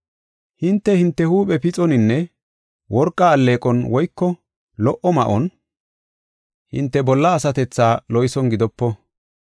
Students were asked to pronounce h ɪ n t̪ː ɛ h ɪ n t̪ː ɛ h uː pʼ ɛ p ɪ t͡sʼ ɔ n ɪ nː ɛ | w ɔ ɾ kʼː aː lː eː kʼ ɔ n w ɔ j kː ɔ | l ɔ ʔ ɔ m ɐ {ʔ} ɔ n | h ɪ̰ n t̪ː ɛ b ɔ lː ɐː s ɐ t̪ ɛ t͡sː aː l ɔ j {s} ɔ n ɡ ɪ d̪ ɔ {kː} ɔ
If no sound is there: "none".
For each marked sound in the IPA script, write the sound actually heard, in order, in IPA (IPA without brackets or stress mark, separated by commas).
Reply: ʔ, s, pː